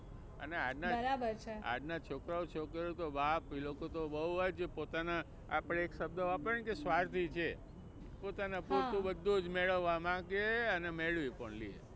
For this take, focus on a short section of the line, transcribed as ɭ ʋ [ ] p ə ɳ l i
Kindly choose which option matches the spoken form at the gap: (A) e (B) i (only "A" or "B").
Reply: B